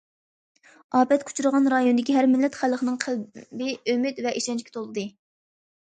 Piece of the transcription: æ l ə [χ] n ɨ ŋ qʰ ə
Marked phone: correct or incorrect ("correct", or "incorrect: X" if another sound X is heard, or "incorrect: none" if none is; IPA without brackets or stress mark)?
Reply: correct